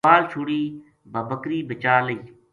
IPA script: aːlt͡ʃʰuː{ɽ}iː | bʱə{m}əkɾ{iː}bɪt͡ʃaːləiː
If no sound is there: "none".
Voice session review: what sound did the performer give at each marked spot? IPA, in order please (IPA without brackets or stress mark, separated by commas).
ɽ, b, iː